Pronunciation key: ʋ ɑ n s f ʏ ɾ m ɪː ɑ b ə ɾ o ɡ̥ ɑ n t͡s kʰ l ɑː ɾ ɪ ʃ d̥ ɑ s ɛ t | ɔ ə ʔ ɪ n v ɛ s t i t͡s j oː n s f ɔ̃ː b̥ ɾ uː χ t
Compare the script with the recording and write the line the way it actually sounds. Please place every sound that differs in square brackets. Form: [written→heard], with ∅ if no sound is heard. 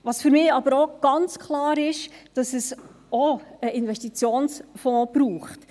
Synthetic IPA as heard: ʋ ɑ [n→∅] s f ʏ ɾ m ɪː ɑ b ə ɾ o ɡ̥ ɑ n t͡s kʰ l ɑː ɾ ɪ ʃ d̥ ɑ s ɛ [t→s] | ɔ ə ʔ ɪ n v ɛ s t i t͡s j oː n s f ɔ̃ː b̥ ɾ uː χ t